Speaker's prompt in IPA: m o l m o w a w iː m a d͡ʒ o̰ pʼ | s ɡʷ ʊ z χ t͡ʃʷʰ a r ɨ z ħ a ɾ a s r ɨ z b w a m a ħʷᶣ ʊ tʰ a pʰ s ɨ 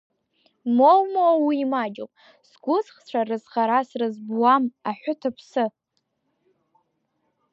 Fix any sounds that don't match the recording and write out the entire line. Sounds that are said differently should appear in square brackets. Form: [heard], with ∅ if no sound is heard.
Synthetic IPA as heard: m o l m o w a w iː m a d͡ʒ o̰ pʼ | s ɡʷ ʊ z χ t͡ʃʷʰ a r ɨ z [χ] a ɾ a s r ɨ z b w a m a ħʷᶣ ʊ tʰ a pʰ s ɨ